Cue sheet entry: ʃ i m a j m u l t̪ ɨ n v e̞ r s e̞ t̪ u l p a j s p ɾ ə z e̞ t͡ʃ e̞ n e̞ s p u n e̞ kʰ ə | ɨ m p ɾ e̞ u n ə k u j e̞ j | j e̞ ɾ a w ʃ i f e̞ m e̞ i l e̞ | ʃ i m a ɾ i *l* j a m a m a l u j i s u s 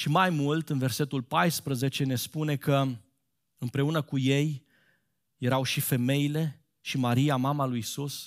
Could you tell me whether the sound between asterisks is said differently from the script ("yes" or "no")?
yes